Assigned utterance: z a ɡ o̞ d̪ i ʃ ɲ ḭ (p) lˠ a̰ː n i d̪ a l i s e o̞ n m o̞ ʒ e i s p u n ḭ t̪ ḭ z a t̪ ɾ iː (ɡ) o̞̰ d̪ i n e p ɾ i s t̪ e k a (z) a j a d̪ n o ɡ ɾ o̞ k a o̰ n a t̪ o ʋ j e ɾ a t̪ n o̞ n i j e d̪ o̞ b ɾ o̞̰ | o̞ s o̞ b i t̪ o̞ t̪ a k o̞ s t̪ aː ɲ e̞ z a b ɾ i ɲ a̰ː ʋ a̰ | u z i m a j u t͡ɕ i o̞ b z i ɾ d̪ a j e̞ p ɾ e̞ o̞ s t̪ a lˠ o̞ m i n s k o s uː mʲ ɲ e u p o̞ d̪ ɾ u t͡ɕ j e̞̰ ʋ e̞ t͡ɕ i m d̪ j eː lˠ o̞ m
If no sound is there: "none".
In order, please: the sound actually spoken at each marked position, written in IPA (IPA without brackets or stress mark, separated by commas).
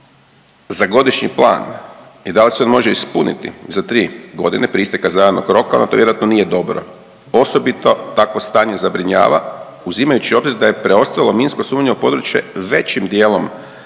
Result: p, ɡ, z